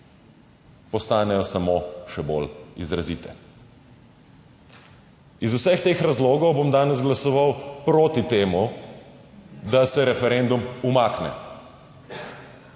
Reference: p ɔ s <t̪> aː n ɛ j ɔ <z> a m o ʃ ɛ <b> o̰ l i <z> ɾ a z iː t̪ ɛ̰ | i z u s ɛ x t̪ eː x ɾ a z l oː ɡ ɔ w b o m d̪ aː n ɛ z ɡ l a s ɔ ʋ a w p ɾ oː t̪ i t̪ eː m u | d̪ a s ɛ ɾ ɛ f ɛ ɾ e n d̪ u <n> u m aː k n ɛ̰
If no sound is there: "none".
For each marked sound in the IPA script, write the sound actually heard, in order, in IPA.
t̪, s, b, z, m

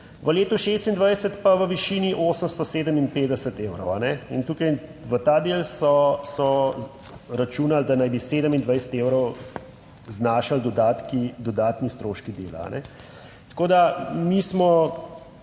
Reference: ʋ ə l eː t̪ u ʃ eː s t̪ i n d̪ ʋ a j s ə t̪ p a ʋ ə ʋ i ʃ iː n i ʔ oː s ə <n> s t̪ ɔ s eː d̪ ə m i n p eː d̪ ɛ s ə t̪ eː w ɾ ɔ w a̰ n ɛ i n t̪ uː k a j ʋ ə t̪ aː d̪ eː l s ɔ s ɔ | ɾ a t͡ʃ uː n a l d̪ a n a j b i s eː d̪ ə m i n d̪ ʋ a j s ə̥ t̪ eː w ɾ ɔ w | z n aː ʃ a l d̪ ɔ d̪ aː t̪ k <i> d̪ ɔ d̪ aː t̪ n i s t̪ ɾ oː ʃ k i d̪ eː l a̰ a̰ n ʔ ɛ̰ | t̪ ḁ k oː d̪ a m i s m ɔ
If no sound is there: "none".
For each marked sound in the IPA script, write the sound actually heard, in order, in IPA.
m, i

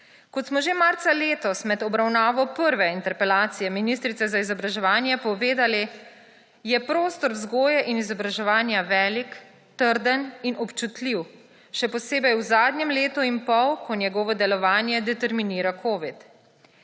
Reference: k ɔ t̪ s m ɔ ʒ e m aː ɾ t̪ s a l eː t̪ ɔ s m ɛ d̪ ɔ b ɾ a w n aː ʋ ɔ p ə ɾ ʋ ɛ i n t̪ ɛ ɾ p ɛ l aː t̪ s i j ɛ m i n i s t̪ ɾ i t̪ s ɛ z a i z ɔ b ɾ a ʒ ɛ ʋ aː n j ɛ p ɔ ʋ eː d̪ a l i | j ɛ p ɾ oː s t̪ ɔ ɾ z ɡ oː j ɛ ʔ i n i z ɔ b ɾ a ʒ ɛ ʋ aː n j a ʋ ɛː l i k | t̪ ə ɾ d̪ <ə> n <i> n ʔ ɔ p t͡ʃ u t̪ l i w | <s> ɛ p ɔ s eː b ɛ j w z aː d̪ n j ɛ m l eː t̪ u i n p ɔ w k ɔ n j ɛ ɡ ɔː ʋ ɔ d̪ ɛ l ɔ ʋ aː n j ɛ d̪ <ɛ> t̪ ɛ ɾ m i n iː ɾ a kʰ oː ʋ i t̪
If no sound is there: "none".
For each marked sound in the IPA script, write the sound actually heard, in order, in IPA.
ə, i, ʃ, ɛ

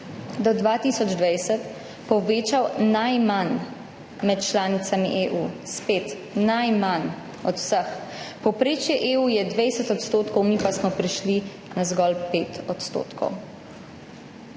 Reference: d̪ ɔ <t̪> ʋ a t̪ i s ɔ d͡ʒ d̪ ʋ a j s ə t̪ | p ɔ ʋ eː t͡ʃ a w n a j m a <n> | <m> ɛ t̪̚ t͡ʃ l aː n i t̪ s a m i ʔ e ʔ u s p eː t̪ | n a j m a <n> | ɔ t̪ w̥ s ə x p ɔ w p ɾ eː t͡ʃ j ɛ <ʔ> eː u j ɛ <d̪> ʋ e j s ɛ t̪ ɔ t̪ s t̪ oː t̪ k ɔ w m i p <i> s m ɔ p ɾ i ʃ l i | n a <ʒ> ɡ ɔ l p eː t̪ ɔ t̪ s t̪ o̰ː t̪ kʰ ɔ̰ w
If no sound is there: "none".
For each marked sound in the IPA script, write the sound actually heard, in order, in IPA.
d̪, n, m, n, ʔ, d̪, a, z

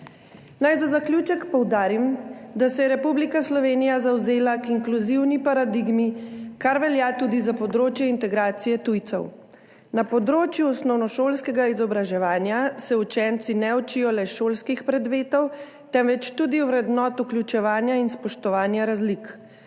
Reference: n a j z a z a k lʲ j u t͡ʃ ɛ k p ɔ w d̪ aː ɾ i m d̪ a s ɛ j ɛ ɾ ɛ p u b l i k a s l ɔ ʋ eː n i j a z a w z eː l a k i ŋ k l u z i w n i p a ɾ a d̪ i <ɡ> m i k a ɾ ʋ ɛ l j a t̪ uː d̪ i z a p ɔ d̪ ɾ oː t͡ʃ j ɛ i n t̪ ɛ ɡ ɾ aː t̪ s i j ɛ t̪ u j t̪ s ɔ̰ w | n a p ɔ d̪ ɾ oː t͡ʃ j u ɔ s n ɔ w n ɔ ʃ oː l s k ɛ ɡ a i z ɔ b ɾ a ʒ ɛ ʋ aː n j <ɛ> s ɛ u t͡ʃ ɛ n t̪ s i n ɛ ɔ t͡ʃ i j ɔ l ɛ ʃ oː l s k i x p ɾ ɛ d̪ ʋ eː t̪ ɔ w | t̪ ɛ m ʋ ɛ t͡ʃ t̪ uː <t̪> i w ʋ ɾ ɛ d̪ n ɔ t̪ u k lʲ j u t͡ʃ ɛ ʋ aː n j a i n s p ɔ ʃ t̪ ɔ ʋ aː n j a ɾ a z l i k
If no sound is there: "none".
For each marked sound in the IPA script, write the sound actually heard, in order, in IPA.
ɡ, a, d̪

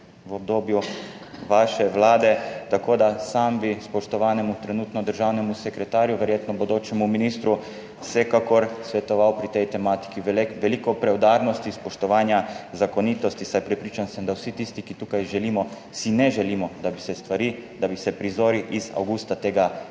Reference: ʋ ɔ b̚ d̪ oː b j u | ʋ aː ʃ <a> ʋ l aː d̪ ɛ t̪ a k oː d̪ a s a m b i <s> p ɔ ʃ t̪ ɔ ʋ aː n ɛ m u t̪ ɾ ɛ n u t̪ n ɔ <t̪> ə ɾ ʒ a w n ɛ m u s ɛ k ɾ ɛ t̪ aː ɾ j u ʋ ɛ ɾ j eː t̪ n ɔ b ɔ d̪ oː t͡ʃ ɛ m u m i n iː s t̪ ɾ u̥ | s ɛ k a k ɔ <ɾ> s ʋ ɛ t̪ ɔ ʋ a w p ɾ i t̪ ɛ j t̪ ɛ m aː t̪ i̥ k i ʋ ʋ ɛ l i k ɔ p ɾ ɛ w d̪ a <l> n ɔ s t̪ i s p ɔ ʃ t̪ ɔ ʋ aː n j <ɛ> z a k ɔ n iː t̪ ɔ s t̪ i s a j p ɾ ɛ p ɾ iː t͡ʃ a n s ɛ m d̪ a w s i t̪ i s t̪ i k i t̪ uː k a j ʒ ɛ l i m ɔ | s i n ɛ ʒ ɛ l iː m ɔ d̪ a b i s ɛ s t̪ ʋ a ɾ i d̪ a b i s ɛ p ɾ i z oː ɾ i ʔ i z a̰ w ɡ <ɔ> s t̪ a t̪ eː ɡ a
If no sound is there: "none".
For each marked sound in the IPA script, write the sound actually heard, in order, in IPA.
ɛ, s, d̪, ɾ, ɾ, a, u

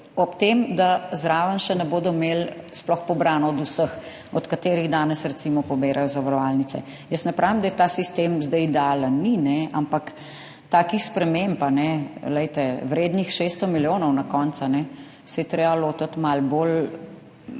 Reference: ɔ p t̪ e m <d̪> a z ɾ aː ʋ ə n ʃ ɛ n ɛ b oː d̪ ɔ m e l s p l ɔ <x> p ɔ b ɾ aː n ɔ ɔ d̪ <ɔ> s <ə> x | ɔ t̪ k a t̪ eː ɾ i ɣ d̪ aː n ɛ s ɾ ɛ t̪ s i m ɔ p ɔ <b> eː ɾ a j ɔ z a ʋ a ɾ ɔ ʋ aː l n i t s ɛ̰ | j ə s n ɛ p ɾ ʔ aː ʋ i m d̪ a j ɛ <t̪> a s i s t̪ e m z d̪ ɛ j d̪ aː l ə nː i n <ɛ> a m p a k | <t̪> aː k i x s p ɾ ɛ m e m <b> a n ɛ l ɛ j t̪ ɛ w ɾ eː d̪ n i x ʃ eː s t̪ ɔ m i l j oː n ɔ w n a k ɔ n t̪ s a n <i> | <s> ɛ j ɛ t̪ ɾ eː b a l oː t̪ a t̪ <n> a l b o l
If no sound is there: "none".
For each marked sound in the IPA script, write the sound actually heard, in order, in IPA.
d̪, x, u, ə, b, t̪, ɛ, t̪, p, ɛ, s, m

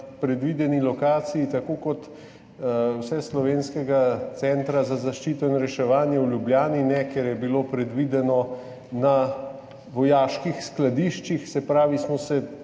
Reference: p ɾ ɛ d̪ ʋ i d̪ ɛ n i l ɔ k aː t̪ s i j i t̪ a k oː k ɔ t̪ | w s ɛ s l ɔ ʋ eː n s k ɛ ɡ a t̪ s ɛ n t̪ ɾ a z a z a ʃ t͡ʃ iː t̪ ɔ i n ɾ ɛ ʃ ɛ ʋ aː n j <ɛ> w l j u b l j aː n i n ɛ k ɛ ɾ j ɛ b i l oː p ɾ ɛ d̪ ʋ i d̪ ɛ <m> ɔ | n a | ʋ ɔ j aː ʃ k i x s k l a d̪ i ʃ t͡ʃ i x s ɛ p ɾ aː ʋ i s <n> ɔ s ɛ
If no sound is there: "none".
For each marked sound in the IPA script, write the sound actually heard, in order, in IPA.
ɛ, n, m

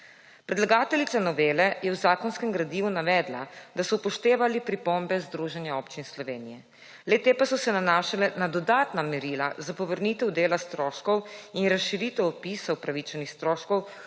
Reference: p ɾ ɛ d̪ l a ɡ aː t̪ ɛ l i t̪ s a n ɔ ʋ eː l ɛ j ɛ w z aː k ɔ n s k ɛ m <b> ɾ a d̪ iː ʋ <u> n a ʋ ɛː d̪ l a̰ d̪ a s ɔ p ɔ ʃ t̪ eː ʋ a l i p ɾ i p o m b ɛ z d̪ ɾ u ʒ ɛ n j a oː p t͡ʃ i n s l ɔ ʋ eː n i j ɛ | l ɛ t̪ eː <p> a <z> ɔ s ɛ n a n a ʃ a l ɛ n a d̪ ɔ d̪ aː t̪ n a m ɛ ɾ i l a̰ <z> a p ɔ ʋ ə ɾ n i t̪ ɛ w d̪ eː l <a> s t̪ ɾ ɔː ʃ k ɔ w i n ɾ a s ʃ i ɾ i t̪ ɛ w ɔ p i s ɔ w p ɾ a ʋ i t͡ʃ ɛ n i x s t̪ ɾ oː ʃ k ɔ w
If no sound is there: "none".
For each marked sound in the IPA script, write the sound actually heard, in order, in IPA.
ɡ, u, p, s, z, a

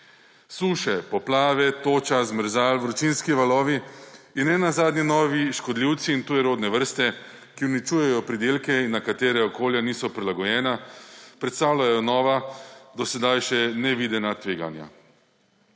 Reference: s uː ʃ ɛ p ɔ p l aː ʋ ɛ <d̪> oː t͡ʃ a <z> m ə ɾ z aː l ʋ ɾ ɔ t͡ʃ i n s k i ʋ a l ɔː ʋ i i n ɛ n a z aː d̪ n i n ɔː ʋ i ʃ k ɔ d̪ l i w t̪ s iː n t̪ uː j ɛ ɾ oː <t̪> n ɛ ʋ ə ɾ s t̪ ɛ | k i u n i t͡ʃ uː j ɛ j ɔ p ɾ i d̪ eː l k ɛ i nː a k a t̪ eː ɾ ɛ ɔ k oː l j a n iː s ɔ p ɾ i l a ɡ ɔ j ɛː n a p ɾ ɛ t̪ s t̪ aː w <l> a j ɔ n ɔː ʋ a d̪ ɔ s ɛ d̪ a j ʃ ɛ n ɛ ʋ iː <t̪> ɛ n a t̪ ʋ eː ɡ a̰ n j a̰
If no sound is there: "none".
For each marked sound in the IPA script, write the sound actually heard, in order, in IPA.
t̪, z, d̪, l, d̪

